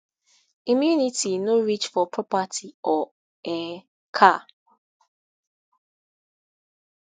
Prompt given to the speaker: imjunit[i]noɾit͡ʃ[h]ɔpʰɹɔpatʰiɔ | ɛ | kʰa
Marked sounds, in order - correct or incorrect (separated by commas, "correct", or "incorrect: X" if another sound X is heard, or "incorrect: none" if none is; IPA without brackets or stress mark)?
correct, incorrect: f